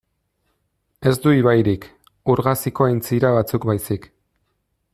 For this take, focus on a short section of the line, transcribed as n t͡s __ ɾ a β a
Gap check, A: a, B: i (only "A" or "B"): B